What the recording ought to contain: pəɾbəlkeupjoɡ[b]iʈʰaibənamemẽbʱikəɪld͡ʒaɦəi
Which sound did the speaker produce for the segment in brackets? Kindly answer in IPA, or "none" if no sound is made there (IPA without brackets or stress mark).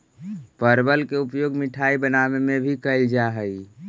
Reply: m